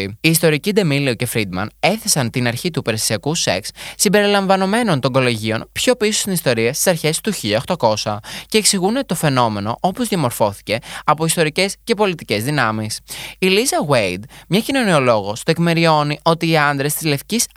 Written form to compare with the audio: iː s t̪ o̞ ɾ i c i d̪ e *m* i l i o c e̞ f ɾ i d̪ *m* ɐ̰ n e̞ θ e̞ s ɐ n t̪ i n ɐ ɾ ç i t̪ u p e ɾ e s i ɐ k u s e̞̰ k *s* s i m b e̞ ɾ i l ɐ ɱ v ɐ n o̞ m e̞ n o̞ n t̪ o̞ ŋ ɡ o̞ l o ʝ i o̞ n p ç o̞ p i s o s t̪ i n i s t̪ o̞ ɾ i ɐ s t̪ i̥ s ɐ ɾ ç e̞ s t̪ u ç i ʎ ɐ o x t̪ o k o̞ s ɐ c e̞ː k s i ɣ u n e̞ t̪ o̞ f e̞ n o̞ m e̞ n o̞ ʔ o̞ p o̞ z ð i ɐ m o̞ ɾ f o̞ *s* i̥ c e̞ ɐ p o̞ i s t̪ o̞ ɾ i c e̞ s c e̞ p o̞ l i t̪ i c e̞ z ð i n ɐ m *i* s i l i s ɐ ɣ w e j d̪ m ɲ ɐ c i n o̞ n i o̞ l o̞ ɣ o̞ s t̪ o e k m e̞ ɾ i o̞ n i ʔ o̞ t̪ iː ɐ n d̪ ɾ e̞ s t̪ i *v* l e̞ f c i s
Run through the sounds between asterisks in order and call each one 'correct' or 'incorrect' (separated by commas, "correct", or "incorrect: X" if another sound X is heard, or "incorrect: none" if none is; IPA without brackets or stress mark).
correct, correct, correct, incorrect: θ, correct, incorrect: z